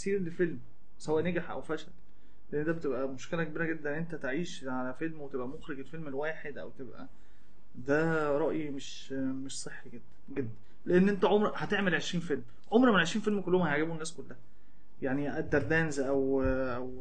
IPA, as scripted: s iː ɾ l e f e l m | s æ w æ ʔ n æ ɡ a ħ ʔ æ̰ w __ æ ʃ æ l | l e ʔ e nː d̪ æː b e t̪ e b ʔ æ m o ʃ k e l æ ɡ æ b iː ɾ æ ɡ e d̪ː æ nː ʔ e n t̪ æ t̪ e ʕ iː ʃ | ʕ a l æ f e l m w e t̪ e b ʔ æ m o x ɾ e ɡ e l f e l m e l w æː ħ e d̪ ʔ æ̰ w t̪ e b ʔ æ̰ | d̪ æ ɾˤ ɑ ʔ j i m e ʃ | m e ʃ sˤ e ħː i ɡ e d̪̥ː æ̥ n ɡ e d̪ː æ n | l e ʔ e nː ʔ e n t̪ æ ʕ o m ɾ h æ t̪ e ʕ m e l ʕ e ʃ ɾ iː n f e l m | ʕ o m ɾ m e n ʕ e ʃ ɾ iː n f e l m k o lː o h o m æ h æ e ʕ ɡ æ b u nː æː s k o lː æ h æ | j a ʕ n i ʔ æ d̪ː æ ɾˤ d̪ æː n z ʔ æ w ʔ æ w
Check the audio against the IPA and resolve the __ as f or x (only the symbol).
f